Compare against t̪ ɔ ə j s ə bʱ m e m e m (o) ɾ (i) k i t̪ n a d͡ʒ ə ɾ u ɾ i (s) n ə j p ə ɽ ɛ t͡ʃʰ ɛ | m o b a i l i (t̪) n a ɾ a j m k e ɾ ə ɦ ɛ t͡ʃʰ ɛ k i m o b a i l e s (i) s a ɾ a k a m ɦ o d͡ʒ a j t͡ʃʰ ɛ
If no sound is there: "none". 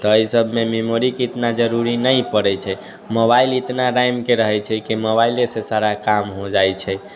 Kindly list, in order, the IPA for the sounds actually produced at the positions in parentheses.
o, i, none, t̪, e

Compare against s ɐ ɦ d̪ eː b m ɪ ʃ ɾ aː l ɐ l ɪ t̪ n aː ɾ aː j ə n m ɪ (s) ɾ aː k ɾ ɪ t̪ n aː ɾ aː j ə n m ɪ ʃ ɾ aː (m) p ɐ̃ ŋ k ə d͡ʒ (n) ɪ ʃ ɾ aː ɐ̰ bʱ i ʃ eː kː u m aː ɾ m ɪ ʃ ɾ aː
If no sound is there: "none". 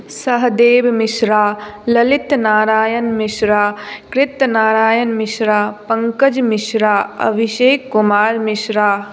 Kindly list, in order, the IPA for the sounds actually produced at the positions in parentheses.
ʃ, none, m

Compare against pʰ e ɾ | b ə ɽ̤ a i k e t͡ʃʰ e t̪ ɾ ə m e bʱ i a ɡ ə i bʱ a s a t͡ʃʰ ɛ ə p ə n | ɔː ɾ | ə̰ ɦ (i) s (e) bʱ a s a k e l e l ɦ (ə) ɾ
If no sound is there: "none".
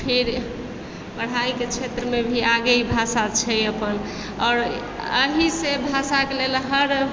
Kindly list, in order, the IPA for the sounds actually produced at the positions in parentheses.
i, e, ə

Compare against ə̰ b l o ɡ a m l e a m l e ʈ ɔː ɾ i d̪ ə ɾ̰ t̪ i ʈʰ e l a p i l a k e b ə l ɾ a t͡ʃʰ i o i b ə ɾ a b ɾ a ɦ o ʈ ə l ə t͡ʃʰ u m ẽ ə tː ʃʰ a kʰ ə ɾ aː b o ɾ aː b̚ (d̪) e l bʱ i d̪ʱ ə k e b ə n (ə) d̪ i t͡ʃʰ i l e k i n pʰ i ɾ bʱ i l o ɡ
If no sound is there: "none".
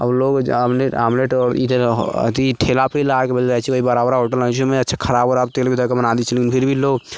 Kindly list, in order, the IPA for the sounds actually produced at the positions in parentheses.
t̪, a

